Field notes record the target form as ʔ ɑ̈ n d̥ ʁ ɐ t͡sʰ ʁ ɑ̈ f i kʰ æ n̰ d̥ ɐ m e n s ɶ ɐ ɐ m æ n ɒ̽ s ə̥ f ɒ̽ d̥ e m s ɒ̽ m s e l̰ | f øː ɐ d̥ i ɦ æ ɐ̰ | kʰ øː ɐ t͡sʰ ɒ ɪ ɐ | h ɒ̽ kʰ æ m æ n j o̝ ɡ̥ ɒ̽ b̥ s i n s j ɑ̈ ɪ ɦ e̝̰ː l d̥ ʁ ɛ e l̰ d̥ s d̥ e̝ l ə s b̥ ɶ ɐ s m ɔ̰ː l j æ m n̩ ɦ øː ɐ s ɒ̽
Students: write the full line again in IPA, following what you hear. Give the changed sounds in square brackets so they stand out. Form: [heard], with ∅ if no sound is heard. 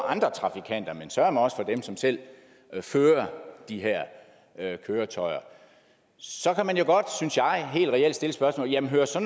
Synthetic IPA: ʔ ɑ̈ n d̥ ʁ ɐ t͡sʰ ʁ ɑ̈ f i kʰ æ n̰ d̥ ɐ m e n s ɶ ɐ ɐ m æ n ɒ̽ s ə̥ f ɒ̽ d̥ e m s ɒ̽ m s e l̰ | f øː ɐ d̥ i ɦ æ ɐ̰ | kʰ øː ɐ t͡sʰ ɒ ɪ ɐ | [s] ɒ̽ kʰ æ m æ n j o̝ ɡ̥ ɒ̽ [d̥] s [y] n s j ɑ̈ ɪ ɦ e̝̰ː l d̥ ʁ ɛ e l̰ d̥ s d̥ e̝ l ə s b̥ ɶ ɐ s m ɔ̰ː l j æ m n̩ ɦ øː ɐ s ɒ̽